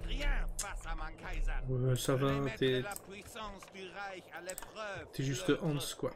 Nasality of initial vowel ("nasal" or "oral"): oral